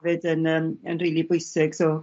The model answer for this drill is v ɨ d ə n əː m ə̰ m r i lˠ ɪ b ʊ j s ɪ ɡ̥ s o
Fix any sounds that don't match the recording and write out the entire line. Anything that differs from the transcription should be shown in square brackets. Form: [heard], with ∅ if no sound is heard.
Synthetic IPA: v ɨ d ə n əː m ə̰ [n] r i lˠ [i] b ʊ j s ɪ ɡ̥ s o